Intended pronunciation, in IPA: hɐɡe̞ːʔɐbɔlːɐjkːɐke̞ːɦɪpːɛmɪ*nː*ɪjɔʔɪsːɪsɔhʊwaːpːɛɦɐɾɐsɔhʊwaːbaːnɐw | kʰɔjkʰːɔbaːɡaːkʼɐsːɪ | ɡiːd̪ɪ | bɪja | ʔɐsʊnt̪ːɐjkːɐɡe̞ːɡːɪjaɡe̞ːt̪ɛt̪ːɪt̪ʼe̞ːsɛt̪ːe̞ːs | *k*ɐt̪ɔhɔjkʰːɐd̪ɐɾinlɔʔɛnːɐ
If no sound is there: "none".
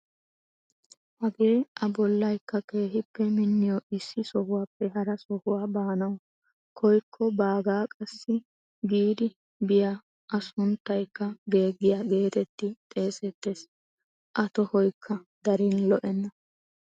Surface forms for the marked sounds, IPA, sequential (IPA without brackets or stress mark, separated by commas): nː, ʔ